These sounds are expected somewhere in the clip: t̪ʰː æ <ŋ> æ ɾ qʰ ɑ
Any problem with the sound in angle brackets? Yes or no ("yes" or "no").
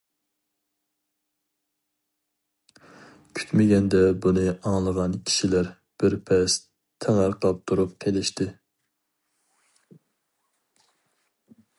no